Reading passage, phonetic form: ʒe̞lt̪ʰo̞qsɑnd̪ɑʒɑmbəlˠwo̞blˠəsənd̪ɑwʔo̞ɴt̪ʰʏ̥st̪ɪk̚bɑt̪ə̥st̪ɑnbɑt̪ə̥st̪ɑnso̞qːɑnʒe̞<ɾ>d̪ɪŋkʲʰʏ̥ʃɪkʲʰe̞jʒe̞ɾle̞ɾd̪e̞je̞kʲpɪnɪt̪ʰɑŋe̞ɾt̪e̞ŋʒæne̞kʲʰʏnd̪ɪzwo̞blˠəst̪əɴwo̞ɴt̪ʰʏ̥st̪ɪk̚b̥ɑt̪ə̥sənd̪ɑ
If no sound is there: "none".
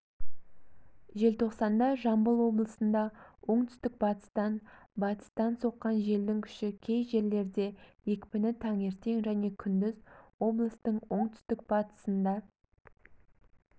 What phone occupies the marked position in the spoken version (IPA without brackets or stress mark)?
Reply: l